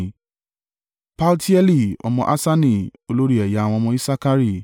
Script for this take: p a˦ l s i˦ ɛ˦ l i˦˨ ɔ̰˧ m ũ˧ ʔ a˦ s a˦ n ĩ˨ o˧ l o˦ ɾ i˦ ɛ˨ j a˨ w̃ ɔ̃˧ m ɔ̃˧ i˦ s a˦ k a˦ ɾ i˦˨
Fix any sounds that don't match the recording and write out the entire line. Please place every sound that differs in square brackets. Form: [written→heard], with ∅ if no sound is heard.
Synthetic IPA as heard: p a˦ l [s→t] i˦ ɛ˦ l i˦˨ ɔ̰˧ m [ũ˧→ɔ̃˧] ʔ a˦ s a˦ n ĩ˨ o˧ l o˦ ɾ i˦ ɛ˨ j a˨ w̃ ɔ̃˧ m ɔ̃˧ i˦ s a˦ k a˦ ɾ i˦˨